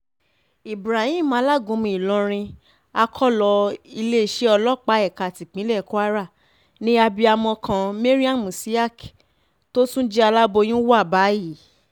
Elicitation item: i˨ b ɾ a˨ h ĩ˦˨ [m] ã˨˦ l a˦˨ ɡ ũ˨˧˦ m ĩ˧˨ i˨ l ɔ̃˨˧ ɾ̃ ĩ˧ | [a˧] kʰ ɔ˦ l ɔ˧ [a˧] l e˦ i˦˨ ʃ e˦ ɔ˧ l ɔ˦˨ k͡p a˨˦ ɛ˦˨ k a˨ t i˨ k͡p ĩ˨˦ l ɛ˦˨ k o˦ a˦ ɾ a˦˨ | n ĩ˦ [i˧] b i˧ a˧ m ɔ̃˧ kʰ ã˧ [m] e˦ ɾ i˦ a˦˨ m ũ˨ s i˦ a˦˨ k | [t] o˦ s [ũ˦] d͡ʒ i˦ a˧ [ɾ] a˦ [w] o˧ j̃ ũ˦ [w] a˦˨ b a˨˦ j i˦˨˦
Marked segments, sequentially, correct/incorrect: correct, correct, incorrect, incorrect, correct, correct, correct, incorrect, incorrect, correct

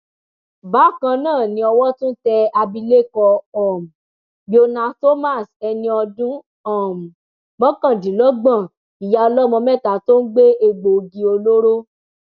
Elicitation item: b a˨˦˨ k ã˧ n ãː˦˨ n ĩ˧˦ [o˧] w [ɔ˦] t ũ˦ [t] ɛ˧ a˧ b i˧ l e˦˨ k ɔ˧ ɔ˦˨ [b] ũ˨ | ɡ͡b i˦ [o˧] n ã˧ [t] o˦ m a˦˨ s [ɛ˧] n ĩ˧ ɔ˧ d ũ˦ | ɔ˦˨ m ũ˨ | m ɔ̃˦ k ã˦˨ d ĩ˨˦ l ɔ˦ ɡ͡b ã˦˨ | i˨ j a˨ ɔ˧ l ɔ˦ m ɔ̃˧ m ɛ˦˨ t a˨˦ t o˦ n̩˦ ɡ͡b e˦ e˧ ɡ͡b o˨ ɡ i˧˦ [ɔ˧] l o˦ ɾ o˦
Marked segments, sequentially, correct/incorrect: incorrect, correct, correct, incorrect, correct, correct, correct, incorrect

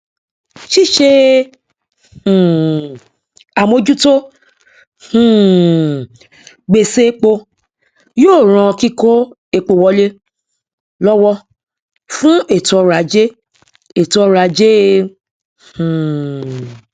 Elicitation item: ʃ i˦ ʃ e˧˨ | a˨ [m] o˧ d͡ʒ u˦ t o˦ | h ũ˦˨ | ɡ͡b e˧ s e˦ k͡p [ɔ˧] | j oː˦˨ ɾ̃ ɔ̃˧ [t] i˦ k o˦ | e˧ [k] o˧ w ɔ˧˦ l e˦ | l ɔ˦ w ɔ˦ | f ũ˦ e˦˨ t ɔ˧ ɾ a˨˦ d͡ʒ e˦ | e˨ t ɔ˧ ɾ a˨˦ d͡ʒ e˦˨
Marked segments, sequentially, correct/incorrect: correct, incorrect, incorrect, incorrect

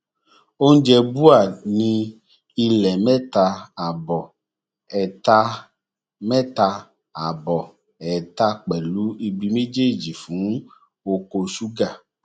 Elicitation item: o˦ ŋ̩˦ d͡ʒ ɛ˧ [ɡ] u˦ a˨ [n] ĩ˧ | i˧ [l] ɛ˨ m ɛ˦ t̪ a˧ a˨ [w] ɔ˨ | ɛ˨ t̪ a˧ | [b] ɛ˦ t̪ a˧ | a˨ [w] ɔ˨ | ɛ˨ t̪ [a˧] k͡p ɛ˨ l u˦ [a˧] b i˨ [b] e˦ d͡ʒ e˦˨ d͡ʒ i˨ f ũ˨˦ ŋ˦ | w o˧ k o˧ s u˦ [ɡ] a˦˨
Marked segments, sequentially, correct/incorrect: incorrect, correct, correct, incorrect, incorrect, incorrect, correct, incorrect, incorrect, correct

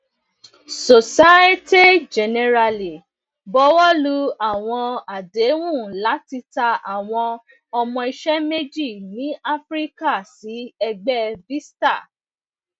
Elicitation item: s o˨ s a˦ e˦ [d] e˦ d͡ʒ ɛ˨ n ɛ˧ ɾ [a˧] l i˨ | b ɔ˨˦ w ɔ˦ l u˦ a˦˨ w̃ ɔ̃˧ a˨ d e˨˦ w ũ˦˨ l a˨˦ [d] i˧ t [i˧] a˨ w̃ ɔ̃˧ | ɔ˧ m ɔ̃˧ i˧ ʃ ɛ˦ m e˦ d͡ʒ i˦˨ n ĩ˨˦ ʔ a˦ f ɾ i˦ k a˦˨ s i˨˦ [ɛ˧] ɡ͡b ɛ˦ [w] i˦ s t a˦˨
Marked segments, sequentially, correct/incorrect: incorrect, correct, incorrect, incorrect, correct, incorrect

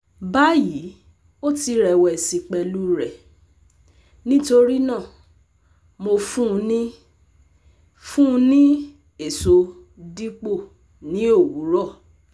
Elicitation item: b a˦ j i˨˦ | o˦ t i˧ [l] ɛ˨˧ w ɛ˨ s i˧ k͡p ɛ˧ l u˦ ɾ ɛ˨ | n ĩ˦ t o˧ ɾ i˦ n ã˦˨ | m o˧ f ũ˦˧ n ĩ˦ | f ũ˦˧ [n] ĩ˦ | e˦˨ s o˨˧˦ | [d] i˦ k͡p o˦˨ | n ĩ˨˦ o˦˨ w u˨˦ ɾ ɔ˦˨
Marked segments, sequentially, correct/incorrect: incorrect, correct, correct

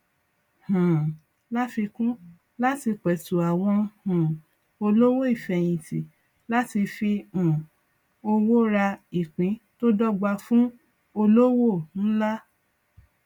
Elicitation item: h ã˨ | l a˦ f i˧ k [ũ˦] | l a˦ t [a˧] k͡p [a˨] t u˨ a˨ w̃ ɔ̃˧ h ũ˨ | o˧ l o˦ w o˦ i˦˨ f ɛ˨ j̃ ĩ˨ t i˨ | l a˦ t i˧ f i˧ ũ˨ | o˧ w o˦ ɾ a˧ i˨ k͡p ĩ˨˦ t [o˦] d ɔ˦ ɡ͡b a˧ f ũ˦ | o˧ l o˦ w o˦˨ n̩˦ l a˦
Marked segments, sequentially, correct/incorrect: correct, incorrect, incorrect, correct

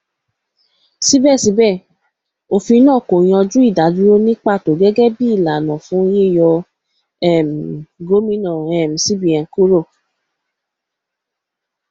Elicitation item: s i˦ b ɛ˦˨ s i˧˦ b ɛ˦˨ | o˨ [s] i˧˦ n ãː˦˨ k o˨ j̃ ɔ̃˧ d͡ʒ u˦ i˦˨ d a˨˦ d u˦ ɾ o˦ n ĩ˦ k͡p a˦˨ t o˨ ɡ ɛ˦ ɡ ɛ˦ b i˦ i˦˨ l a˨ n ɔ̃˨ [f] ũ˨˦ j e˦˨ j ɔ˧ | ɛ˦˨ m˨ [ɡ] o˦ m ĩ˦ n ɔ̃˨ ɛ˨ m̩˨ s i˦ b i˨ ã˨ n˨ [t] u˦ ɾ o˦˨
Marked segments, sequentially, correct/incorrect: incorrect, correct, correct, incorrect

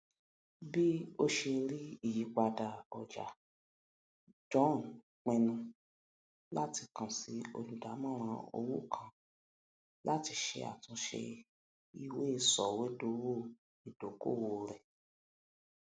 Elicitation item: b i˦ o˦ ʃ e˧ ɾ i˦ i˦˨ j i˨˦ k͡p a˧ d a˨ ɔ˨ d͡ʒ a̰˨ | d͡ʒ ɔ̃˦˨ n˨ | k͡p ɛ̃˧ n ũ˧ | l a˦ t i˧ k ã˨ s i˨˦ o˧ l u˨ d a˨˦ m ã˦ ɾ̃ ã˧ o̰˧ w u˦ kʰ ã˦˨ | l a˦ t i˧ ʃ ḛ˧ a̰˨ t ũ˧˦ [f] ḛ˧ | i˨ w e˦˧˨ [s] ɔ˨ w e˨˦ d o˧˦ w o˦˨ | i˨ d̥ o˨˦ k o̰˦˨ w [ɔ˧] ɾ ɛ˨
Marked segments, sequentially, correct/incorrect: incorrect, correct, incorrect

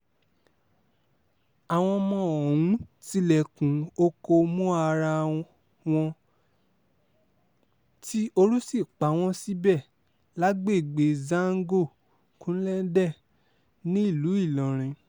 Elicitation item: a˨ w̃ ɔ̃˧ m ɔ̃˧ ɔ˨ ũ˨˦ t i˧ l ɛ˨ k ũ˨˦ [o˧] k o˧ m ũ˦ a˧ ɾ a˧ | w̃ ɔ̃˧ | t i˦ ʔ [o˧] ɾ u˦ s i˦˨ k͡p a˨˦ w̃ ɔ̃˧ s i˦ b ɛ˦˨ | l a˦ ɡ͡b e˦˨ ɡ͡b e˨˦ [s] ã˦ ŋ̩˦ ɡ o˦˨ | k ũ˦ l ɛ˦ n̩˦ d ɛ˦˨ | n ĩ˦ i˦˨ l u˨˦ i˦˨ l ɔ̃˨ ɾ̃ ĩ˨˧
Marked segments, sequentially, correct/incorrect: correct, correct, incorrect

